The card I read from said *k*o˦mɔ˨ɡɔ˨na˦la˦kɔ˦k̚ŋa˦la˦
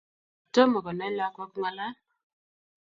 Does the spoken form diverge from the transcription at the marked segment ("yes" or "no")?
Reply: yes